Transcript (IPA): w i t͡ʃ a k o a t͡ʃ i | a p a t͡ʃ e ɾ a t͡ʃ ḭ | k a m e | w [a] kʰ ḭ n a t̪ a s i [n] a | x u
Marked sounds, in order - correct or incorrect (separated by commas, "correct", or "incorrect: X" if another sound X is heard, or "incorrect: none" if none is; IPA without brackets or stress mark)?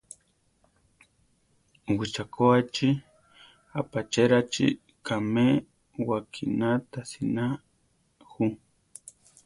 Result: correct, correct